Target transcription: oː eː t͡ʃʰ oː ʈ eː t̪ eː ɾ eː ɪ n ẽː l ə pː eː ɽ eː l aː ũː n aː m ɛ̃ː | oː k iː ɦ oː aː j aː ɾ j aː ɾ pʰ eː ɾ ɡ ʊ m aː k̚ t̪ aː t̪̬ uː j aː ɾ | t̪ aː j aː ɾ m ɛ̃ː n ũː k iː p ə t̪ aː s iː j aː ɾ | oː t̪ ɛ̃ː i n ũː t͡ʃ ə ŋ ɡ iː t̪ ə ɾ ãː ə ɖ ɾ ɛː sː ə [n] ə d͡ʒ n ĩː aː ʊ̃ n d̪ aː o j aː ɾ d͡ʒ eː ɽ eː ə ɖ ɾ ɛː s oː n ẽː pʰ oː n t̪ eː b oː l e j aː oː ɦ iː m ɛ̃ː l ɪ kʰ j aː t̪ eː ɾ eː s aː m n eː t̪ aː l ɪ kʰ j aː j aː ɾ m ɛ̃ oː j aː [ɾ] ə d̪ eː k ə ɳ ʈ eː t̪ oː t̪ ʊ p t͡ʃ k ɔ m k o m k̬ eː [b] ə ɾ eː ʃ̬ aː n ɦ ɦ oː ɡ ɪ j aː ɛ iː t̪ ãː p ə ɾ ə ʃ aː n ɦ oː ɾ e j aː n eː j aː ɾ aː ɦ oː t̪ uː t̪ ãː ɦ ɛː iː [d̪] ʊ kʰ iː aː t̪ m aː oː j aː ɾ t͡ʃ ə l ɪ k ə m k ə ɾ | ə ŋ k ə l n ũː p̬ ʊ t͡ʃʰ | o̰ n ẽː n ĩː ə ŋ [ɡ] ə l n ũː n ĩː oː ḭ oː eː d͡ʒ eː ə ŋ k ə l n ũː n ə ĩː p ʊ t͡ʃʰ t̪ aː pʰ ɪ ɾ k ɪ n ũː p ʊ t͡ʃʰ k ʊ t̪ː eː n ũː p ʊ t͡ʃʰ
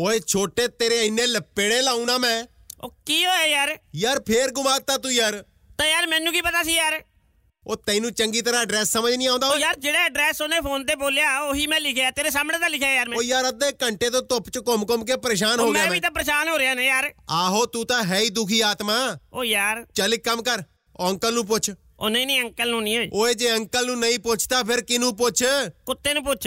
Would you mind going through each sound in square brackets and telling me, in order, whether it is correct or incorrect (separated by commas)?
incorrect, correct, incorrect, correct, incorrect